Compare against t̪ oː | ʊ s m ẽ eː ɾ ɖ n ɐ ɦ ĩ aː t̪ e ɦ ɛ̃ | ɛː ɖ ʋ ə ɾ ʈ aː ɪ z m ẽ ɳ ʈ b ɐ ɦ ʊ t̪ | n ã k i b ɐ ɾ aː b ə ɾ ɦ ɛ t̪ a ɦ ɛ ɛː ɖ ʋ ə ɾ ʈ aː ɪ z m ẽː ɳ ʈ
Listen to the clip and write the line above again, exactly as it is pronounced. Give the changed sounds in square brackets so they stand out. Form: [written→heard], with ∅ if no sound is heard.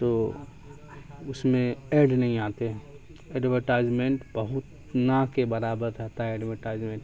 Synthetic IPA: t̪ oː | ʊ s m ẽ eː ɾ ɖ n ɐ ɦ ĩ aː t̪ e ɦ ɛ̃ | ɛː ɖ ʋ ə ɾ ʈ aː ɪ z m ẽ ɳ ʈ b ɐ ɦ ʊ t̪ | n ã k [i→e] b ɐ ɾ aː b ə ɾ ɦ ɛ t̪ a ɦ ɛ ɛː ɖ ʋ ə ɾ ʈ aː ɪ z m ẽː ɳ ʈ